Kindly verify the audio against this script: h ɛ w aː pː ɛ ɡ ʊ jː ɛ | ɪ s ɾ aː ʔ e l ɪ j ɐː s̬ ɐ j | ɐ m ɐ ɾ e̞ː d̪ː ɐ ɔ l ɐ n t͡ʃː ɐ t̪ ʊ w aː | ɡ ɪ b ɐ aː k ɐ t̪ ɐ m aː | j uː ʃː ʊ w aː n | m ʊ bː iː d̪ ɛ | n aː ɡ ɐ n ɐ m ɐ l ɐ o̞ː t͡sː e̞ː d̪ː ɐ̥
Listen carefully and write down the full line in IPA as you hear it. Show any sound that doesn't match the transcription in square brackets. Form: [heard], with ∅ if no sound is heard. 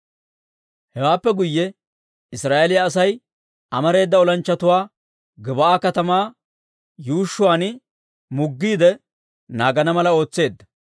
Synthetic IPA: h ɛ w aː pː ɛ ɡ ʊ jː ɛ | ɪ s ɾ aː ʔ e l ɪ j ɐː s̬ ɐ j | ɐ m ɐ ɾ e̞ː d̪ː ɐ ɔ l ɐ n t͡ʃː ɐ t̪ ʊ w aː | ɡ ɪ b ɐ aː k ɐ t̪ ɐ m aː | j uː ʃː ʊ w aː n | m ʊ [ɡː] iː d̪ ɛ | n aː ɡ ɐ n ɐ m ɐ l ɐ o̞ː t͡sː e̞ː d̪ː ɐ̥